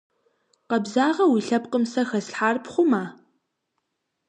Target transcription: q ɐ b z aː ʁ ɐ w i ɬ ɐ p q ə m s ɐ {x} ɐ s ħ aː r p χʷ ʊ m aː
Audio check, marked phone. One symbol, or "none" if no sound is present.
x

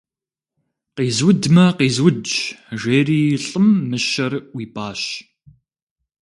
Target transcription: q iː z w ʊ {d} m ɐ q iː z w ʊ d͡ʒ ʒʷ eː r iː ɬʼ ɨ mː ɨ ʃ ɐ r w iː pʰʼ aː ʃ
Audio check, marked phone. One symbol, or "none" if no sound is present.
d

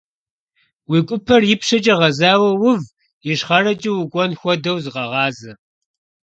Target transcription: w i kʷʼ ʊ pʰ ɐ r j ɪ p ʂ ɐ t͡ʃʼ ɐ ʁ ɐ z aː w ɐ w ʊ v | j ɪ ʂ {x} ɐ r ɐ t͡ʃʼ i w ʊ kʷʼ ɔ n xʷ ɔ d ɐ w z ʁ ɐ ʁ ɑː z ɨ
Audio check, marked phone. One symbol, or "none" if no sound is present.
χ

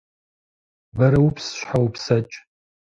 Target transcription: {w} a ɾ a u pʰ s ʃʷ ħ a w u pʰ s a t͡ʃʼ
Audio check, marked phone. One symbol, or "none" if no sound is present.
b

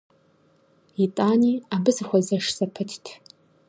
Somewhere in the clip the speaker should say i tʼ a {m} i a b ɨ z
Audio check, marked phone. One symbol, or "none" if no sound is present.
n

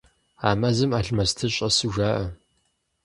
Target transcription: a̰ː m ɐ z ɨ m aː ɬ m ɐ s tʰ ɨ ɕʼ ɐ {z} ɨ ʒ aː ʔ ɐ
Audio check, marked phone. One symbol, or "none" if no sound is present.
s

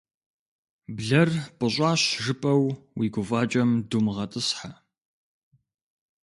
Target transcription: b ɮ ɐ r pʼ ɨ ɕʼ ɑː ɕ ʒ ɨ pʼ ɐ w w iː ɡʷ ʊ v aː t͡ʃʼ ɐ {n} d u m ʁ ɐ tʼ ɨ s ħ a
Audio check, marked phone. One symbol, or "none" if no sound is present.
m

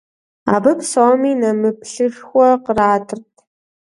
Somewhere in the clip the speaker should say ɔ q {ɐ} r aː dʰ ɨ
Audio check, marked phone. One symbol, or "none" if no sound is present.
ə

